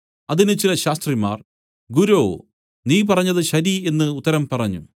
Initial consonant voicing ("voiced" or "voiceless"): voiced